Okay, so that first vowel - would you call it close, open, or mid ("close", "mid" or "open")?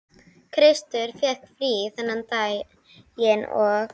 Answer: close